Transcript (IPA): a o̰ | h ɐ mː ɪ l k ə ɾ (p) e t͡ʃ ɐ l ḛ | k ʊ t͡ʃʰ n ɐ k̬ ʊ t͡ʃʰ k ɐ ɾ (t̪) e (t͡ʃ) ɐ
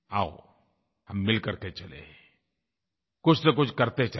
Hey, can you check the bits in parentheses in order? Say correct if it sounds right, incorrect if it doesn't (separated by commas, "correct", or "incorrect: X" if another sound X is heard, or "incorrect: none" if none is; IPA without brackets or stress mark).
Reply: incorrect: k, correct, correct